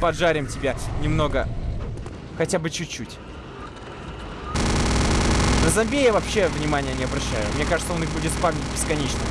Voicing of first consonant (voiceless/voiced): voiceless